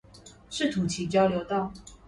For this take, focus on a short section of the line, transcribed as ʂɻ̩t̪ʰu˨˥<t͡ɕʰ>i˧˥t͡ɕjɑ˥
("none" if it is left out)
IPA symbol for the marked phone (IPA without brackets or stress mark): t͡ɕʰ